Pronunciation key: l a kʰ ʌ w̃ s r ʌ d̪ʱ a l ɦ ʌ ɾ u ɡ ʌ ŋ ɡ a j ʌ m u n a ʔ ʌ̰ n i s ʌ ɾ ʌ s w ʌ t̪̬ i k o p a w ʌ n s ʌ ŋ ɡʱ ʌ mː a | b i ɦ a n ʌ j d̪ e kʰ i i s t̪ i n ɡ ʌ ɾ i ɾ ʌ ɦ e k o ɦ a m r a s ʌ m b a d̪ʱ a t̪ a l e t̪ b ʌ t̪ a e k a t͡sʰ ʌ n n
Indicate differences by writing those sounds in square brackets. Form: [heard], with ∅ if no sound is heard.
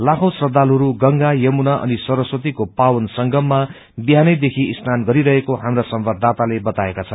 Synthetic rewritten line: l a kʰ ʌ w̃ s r ʌ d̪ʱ a l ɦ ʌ ɾ u ɡ ʌ ŋ ɡ a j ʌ m u n a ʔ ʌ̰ n i s ʌ ɾ ʌ s w ʌ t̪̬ i k o p a w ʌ n s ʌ ŋ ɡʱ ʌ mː a | b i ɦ a n ʌ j d̪ e kʰ i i s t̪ [a] n ɡ ʌ ɾ i ɾ ʌ ɦ e k o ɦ a m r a s ʌ m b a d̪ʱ a t̪ a l e [∅] b ʌ t̪ a e k a t͡sʰ ʌ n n